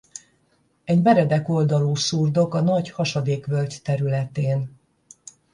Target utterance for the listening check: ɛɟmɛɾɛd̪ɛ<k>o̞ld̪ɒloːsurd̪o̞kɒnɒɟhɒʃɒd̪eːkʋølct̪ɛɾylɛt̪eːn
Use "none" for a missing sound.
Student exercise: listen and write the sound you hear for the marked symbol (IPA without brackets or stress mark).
k